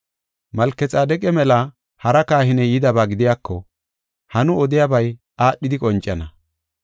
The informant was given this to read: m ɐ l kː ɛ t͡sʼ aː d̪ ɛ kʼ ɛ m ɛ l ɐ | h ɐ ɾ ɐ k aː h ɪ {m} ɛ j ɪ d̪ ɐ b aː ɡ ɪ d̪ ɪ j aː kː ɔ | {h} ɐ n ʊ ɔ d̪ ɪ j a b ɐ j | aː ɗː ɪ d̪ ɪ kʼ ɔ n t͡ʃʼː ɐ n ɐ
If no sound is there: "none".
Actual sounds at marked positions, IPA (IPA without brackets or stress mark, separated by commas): n, h